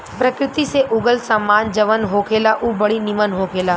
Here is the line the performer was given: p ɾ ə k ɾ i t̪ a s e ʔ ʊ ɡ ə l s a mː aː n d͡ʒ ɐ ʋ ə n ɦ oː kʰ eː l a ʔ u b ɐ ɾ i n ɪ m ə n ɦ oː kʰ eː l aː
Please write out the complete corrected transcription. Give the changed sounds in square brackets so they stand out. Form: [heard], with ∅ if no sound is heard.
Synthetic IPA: p ɾ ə k ɾ [ɪ] t̪ [i] s e ʔ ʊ ɡ ə l s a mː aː n d͡ʒ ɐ ʋ ə n ɦ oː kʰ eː l a ʔ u b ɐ [ɽ] i n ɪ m ə n ɦ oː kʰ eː l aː